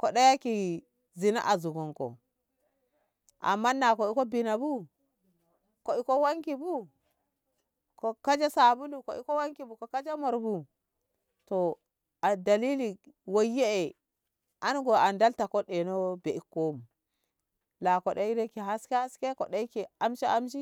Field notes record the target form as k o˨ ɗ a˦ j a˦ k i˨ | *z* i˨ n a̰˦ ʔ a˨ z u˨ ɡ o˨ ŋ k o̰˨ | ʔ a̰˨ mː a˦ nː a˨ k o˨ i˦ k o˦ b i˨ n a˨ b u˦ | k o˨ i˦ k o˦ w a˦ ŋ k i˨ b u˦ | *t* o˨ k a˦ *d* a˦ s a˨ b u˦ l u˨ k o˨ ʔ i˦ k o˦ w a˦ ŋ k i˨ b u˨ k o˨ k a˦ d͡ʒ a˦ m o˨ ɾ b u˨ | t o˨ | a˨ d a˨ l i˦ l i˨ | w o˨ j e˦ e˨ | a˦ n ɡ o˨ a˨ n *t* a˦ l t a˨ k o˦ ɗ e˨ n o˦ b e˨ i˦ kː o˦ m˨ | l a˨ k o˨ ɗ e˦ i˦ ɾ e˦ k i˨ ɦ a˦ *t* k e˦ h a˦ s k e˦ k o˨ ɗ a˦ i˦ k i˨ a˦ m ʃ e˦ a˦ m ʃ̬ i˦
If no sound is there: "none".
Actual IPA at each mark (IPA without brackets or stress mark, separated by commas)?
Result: z, k, d͡ʒ, d, s